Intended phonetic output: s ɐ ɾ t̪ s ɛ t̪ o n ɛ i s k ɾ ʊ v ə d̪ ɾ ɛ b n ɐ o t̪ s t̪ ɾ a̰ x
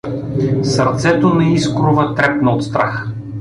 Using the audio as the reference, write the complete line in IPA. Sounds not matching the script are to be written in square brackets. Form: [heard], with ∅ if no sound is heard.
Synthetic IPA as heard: s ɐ ɾ t̪ s ɛ t̪ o n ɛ i s k ɾ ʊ v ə [t̪] ɾ ɛ [p] n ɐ o t̪ s t̪ ɾ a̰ x